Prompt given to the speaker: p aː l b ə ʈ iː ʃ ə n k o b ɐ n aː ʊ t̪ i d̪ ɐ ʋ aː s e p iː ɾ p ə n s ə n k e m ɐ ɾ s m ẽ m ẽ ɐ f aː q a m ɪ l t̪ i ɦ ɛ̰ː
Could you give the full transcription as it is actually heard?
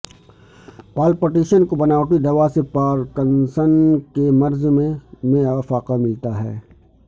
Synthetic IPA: p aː l p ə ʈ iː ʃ ə n k o b ɐ n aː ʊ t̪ i d̪ ɐ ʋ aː s e p aː ɾ k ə n s ə n k e m ɐ ɾ z m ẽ m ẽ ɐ f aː q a m ɪ l t̪ a ɦ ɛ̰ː